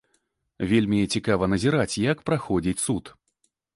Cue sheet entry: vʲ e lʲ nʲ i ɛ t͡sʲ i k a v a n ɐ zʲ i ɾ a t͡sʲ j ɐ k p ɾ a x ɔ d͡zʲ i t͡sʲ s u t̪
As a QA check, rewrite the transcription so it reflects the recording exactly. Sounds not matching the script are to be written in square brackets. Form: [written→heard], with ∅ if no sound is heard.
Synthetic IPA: vʲ e lʲ [nʲ→mʲ] i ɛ t͡sʲ i k a v [a→ɐ] n ɐ zʲ i ɾ a t͡sʲ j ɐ k p ɾ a x ɔ d͡zʲ i t͡sʲ s u t̪